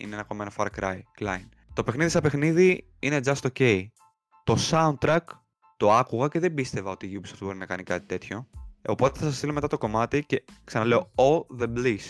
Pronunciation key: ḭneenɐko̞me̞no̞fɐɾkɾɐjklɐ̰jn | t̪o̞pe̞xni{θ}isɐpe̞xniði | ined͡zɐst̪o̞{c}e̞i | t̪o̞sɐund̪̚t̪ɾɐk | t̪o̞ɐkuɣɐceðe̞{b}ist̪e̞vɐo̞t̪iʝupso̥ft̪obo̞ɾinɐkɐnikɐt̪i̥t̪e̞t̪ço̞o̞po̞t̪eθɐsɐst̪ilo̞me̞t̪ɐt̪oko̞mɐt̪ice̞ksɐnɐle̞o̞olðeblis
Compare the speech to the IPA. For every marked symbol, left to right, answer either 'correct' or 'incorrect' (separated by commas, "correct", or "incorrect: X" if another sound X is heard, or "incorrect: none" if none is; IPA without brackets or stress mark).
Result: incorrect: ð, correct, correct